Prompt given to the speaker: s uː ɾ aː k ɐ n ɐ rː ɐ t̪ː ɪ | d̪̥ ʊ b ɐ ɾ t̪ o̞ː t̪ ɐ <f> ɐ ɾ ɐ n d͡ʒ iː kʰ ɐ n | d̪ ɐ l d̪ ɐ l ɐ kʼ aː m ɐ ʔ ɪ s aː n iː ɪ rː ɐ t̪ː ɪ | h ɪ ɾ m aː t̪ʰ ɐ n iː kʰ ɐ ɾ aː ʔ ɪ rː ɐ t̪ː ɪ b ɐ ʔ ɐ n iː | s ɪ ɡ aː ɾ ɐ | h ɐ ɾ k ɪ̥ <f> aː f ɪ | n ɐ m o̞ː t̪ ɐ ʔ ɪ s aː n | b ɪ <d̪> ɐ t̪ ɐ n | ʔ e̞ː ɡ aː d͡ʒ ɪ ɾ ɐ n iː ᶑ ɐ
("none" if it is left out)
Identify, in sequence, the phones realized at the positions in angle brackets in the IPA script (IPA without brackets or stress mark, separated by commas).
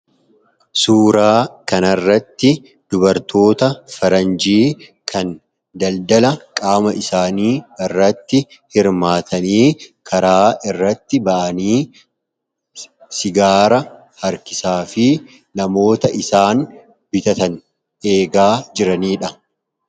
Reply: f, s, t̪